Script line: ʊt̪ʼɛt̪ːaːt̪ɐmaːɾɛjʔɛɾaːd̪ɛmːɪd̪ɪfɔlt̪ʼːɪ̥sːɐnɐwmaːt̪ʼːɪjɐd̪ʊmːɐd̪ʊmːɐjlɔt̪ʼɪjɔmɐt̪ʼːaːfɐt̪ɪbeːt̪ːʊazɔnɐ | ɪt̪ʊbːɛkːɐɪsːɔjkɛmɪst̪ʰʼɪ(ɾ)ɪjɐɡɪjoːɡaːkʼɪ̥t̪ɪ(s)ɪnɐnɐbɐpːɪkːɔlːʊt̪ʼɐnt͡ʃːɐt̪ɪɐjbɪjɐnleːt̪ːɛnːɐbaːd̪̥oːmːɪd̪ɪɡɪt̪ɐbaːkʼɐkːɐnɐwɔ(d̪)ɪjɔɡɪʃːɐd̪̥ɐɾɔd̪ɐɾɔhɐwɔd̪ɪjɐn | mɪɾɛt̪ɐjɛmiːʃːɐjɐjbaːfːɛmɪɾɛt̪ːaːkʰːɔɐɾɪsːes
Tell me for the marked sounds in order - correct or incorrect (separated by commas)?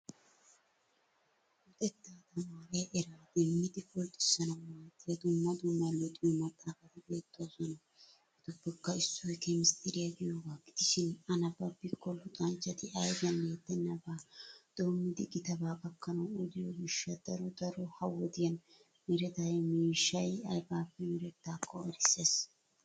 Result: correct, incorrect, correct